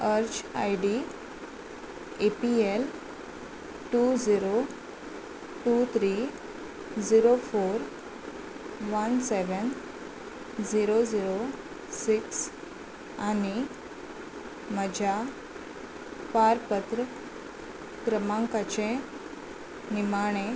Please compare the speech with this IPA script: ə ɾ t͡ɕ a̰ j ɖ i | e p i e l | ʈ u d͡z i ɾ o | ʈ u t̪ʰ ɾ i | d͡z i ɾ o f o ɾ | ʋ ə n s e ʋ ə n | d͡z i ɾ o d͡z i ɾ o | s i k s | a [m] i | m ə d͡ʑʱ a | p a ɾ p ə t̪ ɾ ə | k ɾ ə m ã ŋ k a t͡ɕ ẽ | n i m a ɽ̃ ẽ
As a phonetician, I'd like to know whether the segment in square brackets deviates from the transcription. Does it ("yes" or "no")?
yes